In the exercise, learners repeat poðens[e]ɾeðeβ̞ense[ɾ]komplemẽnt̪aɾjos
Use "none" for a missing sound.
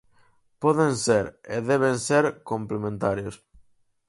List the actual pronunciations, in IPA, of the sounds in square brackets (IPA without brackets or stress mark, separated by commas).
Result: e, ɾ